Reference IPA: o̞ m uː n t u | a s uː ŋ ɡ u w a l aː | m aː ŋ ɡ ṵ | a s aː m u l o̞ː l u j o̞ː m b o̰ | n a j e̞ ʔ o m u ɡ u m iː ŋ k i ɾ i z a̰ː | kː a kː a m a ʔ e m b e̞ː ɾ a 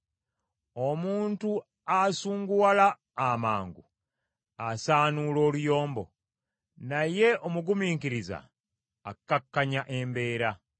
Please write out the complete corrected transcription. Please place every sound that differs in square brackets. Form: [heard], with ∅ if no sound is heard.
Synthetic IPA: o̞ m uː n t u | a s uː ŋ ɡ u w a l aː | m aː ŋ ɡ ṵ | a s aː [n] u l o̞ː l u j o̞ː m b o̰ | n a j e̞ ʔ o m u ɡ u m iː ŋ k i ɾ i z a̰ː | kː a kː a [ɲ] a ʔ e m b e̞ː ɾ a